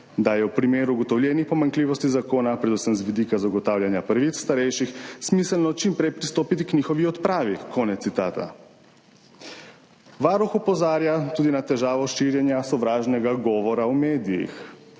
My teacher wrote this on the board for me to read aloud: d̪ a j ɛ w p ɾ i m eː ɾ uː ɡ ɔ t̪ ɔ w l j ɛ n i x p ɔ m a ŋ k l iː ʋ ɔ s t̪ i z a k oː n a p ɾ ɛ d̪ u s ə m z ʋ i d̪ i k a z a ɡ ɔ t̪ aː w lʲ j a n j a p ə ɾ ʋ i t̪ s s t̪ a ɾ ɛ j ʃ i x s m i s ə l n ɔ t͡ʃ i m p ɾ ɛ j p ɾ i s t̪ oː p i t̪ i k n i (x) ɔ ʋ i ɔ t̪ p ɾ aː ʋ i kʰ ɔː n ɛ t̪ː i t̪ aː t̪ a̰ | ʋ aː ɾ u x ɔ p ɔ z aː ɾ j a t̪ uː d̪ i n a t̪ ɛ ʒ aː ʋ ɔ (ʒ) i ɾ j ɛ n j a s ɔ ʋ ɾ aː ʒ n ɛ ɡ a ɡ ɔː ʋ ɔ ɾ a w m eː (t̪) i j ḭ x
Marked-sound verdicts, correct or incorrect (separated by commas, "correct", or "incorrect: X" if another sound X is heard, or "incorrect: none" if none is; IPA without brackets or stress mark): correct, incorrect: ʃ, incorrect: d̪